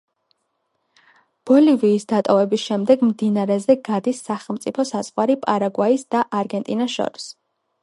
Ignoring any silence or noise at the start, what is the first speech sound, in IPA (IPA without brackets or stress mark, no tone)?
b̥